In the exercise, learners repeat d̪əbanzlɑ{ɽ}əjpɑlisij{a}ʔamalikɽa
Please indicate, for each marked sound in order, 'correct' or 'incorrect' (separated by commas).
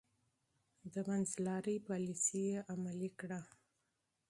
incorrect, incorrect